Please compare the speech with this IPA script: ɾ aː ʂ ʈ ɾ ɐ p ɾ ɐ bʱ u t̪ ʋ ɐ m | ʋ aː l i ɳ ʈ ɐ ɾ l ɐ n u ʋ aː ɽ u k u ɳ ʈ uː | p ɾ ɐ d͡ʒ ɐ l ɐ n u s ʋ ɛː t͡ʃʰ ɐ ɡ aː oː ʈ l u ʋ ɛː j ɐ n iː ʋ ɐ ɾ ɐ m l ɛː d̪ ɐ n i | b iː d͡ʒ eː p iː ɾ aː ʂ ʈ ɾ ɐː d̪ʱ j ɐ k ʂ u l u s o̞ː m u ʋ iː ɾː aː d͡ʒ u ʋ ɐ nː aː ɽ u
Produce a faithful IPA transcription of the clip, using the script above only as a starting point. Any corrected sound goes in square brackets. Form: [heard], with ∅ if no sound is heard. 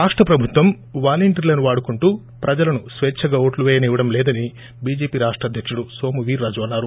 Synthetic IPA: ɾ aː ʂ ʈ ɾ ɐ p ɾ ɐ bʱ u t̪ ʋ ɐ m | ʋ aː l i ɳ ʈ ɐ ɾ l ɐ n u ʋ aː ɽ u k u ɳ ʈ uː | p ɾ ɐ d͡ʒ ɐ l ɐ n u s ʋ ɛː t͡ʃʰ ɐ ɡ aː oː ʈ l u ʋ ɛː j ɐ n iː ʋ ɐ [ɽ] ɐ m l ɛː d̪ ɐ n i | b iː d͡ʒ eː p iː ɾ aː ʂ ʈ ɾ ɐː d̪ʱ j ɐ k ʂ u [ɽ] u s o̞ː m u ʋ iː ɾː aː d͡ʒ u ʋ ɐ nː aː [ɾ] u

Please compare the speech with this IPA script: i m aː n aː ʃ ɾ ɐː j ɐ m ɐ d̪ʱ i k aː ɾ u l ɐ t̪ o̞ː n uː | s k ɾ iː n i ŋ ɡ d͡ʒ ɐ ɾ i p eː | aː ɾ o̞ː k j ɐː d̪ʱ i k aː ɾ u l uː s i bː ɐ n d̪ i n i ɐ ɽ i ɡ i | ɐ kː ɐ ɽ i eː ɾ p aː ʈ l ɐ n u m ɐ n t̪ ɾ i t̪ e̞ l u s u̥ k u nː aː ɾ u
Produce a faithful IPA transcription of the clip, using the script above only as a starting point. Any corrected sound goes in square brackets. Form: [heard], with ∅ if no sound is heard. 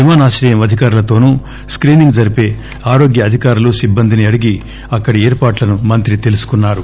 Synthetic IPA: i m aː n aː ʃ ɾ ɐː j ɐ m ɐ d̪ʱ i k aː ɾ u l ɐ t̪ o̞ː n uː | s k ɾ iː n i ŋ ɡ d͡ʒ ɐ ɾ i p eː | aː ɾ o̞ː [ɡ] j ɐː d̪ʱ i k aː ɾ u l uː s i bː ɐ n d̪ i n i ɐ ɽ i ɡ i | ɐ kː ɐ ɽ i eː ɾ p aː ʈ l ɐ n u m ɐ n t̪ ɾ i t̪ e̞ l u s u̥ k u nː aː ɾ u

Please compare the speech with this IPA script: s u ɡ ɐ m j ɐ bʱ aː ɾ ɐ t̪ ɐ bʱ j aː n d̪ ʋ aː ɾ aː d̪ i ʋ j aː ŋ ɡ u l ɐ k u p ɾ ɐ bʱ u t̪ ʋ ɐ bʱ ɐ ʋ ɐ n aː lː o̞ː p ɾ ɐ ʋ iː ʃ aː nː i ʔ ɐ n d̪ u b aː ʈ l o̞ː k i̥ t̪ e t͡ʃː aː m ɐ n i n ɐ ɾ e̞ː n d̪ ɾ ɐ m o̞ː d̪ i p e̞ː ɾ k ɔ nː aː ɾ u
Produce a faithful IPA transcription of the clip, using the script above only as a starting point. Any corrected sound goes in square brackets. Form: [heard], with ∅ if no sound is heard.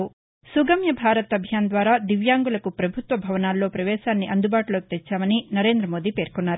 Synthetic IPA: s u ɡ ɐ m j ɐ bʱ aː ɾ ɐ t̪ ɐ bʱ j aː n d̪ ʋ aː ɾ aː d̪ i ʋ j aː ŋ ɡ u l ɐ k u p ɾ ɐ bʱ u t̪ ʋ ɐ bʱ ɐ ʋ ɐ n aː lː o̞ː p ɾ ɐ ʋ [ɛː] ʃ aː nː i ʔ ɐ n d̪ u b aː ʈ l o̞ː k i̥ t̪ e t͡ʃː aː m ɐ n i n ɐ ɾ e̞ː n d̪ ɾ ɐ m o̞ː d̪ i p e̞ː ɾ k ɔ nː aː ɾ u

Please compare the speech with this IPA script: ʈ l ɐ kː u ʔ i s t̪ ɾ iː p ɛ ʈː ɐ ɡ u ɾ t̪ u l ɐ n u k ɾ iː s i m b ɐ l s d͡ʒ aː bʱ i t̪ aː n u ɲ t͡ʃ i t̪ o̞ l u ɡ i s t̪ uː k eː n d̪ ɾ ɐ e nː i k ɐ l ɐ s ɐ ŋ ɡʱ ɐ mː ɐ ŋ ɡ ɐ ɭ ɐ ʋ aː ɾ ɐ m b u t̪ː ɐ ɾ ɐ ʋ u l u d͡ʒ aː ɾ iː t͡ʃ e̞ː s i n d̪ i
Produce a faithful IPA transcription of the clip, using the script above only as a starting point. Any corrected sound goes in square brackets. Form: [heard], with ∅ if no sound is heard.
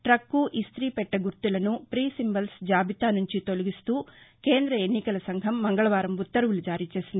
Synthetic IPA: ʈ [ɾ] ɐ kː u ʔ i s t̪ ɾ iː p ɛ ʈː ɐ ɡ u ɾ t̪ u l ɐ n u [p] ɾ iː s i m b ɐ l s d͡ʒ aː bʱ i t̪ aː n u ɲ t͡ʃ i t̪ o̞ l u ɡ i s t̪ uː k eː n d̪ ɾ ɐ e nː i k ɐ l ɐ s ɐ ŋ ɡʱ ɐ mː ɐ ŋ ɡ ɐ ɭ ɐ ʋ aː ɾ ɐ m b u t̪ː ɐ ɾ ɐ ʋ u l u d͡ʒ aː ɾ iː t͡ʃ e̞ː s i n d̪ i

